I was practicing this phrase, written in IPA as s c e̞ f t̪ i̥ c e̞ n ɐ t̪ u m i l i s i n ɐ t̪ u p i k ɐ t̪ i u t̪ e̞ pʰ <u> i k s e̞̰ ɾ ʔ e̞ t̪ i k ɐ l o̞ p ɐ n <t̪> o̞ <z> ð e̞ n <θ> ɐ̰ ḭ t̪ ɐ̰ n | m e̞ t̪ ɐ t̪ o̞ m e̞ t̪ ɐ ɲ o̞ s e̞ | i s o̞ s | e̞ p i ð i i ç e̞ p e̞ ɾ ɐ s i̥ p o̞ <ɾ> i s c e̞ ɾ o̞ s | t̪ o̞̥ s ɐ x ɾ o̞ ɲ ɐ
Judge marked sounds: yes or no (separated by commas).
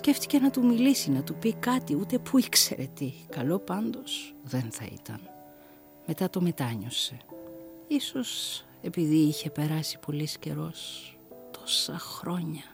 yes, no, no, yes, no